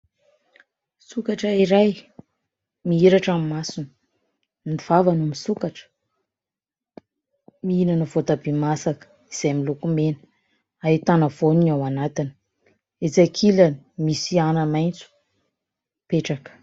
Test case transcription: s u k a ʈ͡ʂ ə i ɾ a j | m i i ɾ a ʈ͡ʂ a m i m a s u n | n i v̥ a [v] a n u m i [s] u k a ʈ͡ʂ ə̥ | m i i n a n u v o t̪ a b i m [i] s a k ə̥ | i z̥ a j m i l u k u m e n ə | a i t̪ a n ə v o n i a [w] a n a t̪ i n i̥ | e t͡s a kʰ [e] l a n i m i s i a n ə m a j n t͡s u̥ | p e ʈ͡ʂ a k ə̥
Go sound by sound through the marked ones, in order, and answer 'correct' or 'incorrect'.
correct, correct, incorrect: a, correct, incorrect: i

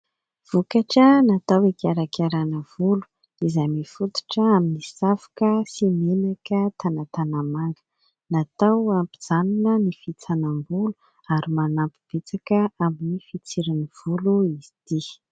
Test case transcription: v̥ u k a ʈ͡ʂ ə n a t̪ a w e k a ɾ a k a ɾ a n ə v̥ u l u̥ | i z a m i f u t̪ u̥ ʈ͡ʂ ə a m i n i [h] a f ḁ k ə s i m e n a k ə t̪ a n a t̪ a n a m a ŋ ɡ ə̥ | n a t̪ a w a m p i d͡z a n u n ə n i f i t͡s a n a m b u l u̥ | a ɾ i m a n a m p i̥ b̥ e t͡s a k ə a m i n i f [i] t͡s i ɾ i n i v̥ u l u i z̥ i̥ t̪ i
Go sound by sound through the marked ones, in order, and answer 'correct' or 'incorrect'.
incorrect: s, correct

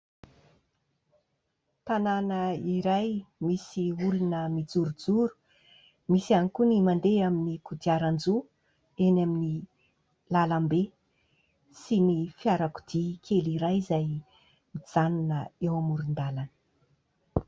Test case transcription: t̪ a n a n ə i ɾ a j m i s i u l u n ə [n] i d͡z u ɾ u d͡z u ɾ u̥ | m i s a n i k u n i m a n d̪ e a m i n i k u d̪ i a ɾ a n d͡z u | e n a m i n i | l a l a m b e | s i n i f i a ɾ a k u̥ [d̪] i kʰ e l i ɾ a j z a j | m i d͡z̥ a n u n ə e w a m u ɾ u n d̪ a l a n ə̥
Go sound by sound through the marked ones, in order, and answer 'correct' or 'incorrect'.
incorrect: m, correct

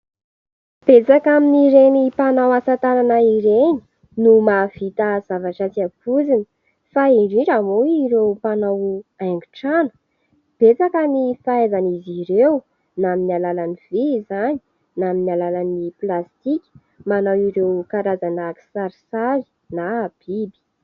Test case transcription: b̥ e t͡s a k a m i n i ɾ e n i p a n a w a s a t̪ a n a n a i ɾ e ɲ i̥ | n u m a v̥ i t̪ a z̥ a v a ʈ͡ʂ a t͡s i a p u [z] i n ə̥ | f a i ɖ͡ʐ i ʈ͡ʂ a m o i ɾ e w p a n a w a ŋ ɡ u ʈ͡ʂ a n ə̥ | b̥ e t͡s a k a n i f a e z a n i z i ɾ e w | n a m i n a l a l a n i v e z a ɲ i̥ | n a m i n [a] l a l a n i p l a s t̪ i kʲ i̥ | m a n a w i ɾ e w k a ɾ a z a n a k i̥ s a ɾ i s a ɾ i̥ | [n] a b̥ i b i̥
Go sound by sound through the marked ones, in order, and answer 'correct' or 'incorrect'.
correct, correct, correct

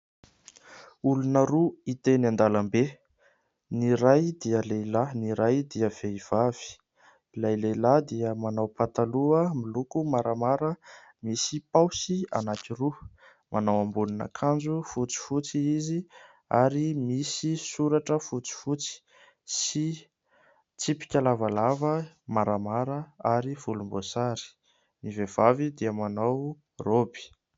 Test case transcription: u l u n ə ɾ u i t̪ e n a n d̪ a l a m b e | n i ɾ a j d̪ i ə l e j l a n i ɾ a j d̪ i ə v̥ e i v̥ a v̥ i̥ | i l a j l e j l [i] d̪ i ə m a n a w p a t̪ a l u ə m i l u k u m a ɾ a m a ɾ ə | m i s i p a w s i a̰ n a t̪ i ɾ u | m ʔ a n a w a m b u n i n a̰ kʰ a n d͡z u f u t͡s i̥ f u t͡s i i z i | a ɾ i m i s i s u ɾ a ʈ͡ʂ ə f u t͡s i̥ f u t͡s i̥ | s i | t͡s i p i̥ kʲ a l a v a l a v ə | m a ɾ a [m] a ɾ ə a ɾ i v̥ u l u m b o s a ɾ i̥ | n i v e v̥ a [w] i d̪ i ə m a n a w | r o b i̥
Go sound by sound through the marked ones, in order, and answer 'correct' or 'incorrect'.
incorrect: a, correct, incorrect: v

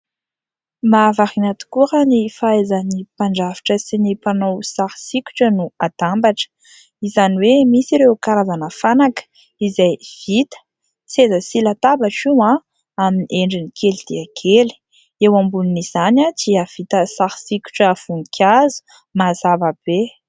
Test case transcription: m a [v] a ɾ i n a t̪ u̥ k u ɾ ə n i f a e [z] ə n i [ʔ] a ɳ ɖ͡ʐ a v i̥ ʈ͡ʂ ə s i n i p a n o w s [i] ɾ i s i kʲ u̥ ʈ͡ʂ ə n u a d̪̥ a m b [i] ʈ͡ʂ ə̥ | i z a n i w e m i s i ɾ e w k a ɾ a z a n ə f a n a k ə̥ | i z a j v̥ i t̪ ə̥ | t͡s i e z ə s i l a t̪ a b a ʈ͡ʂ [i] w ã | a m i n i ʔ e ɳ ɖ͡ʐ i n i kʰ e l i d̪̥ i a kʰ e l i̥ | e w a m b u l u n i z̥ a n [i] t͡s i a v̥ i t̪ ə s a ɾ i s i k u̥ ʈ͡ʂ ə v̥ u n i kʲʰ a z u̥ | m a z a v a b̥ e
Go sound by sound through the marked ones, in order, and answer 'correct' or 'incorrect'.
correct, correct, incorrect: p, incorrect: a, incorrect: a, correct, incorrect: a

